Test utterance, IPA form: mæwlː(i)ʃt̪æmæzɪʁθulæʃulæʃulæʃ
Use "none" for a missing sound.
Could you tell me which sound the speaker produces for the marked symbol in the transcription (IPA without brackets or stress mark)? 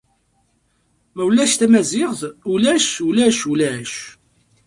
æ